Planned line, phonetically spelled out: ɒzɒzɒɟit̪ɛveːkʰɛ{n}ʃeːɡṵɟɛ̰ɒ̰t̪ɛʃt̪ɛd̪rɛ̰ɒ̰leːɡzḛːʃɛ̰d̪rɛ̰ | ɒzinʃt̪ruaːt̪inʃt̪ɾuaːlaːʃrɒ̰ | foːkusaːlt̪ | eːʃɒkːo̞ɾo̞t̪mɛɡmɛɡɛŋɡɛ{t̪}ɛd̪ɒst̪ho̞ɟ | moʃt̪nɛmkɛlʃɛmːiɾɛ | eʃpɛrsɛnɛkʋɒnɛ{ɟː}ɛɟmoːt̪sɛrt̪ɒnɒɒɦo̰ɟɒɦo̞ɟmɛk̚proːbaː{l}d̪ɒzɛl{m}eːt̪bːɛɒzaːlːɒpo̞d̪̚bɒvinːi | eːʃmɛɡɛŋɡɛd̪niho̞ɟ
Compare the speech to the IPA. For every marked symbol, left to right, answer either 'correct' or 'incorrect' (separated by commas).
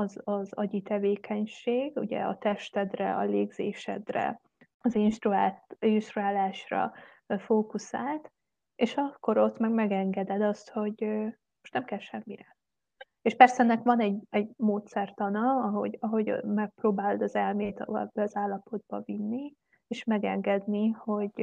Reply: incorrect, incorrect, incorrect, correct, correct